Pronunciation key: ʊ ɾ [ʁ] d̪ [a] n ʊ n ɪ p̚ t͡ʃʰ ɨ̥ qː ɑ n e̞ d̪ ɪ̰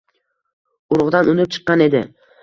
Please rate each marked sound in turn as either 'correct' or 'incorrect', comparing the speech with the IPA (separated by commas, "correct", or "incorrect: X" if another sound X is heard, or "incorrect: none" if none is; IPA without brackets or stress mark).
correct, correct